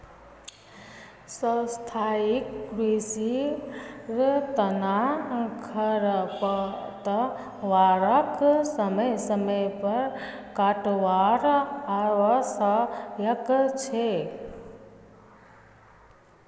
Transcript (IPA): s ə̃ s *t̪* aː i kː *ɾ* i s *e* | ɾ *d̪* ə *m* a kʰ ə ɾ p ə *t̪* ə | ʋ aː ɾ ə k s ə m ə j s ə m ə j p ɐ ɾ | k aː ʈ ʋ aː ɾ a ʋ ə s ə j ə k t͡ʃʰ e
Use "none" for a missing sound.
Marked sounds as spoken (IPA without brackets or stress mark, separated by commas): t̪ʰ, ɾ, i, t̪, n, t̪